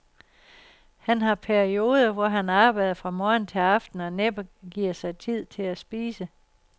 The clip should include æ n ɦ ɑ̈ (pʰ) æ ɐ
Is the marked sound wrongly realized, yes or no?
no